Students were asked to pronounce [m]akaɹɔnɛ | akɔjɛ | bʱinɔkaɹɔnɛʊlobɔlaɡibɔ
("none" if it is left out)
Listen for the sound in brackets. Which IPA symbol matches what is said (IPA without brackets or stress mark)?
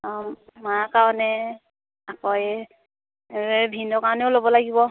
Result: m